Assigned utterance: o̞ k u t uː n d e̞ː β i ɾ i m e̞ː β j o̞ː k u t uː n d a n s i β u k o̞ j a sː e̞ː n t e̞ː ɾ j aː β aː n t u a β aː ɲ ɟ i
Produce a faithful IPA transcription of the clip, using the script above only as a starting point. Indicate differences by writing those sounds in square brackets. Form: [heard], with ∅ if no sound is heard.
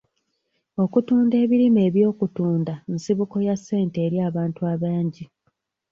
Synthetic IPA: o̞ k u t uː n d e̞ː β i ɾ i m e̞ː β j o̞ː k u t uː n d a n s i β u k o̞ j a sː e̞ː n t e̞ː ɾ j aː β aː n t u a β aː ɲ ɟ i